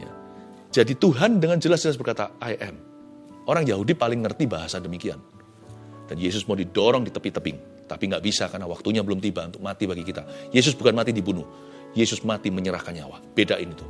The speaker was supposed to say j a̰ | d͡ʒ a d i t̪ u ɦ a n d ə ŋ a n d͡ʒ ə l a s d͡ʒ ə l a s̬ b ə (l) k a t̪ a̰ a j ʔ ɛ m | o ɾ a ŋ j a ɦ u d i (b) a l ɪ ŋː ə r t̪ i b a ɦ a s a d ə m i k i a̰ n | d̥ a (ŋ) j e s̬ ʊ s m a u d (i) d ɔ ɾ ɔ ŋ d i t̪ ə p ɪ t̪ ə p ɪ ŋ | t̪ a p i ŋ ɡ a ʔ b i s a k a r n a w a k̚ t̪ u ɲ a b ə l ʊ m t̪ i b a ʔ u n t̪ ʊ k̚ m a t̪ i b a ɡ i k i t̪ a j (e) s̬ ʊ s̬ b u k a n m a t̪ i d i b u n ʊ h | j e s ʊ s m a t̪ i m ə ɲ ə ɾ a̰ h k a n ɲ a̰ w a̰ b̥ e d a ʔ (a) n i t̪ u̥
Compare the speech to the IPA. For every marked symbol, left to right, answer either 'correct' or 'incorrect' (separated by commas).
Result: incorrect, incorrect, incorrect, correct, correct, incorrect